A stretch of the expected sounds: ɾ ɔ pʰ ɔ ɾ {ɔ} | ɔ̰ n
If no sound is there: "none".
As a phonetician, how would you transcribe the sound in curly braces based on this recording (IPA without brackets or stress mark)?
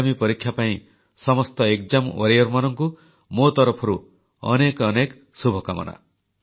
u